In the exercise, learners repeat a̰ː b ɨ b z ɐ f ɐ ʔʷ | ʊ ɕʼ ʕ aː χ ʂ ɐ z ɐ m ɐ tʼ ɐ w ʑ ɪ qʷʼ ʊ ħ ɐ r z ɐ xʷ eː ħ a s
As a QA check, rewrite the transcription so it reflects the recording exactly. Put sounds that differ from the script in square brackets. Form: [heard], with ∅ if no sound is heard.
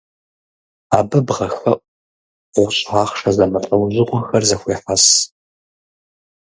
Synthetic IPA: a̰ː b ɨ b [ʁ] ɐ [x] ɐ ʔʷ | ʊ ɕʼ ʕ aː χ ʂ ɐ z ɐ m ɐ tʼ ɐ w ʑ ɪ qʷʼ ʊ [x] ɐ r z ɐ xʷ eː ħ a s

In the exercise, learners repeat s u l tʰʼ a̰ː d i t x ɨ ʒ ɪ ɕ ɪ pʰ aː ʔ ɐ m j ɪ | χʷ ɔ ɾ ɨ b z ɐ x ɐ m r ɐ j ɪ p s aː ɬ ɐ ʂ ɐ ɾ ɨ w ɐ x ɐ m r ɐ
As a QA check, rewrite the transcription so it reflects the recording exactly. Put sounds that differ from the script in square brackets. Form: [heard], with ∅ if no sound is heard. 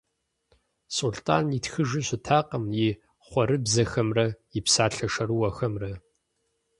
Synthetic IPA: s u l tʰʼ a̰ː [n] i t x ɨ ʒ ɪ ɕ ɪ [tʰ] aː [q] ɐ m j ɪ | χʷ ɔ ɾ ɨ b z ɐ x ɐ m r ɐ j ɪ p s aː ɬ ɐ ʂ ɐ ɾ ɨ w ɐ x ɐ m r ɐ

